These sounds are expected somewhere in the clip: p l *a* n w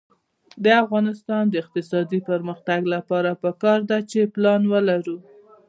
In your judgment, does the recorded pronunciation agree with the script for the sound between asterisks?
no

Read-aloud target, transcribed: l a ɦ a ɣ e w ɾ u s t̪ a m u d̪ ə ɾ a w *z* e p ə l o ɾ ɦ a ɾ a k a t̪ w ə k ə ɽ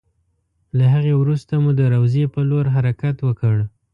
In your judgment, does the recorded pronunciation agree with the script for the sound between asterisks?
yes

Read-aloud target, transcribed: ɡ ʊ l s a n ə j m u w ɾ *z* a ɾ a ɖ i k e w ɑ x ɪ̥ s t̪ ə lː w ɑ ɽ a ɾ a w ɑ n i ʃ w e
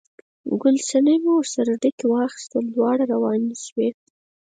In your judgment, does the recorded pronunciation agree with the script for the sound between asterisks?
no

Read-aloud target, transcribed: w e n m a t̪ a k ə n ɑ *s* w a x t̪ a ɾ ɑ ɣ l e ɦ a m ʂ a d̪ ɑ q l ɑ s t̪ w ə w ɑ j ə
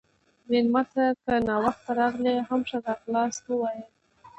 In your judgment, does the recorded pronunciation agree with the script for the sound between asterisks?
no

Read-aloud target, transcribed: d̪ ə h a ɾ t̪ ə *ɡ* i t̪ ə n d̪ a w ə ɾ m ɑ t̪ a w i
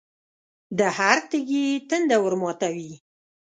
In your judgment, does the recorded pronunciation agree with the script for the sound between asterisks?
yes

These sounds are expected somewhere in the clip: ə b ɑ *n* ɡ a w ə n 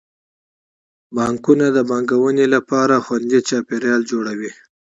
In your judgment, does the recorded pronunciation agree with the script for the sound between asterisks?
no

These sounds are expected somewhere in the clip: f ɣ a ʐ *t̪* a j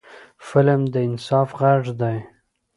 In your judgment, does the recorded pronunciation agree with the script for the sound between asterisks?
no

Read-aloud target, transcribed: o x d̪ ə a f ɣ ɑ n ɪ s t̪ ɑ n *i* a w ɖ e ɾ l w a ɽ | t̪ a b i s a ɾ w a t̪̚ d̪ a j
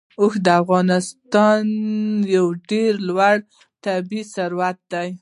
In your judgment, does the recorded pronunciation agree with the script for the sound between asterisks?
no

